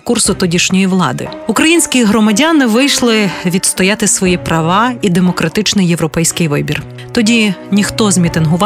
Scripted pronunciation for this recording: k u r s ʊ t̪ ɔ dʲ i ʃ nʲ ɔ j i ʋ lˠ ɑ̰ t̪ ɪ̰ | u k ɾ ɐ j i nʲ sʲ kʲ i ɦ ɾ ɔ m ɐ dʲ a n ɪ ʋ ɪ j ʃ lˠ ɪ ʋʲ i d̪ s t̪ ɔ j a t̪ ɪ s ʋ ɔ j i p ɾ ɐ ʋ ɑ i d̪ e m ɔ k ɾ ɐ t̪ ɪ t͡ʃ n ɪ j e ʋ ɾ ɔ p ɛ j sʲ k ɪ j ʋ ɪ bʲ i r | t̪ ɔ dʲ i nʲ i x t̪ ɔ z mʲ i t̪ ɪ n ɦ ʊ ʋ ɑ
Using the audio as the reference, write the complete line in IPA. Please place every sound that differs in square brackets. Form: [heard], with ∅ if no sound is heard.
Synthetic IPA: k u r s ʊ t̪ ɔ dʲ i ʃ nʲ ɔ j i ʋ lˠ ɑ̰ [d̪] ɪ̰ | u k ɾ ɐ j i nʲ sʲ kʲ i ɦ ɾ ɔ m ɐ dʲ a n ɪ ʋ ɪ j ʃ lˠ ɪ ʋʲ i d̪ s t̪ ɔ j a t̪ ɪ s ʋ ɔ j i p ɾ ɐ ʋ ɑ i d̪ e m ɔ k ɾ ɐ t̪ ɪ t͡ʃ n ɪ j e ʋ ɾ ɔ p ɛ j sʲ k ɪ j ʋ ɪ bʲ i r | t̪ ɔ dʲ i nʲ i x t̪ ɔ z mʲ i t̪ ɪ n ɦ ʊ ʋ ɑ